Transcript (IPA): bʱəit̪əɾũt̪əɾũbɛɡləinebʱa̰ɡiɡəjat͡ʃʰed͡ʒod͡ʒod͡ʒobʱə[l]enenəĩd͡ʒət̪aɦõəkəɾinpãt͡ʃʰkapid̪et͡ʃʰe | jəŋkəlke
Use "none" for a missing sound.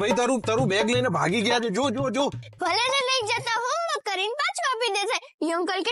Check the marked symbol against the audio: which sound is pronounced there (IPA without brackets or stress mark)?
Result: l